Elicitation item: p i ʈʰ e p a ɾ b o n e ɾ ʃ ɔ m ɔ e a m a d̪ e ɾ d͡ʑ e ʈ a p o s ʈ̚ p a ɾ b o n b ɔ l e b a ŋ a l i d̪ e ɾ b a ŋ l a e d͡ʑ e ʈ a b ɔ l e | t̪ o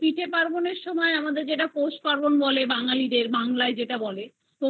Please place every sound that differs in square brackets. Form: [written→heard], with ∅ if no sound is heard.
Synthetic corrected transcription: p i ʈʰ e p a ɾ b o n e ɾ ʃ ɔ m ɔ e a m a d̪ e ɾ d͡ʑ e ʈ a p o s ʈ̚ p a ɾ b o n b ɔ l e b a ŋ a l i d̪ e ɾ b a ŋ l a e d͡ʑ e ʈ a b ɔ l e | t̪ o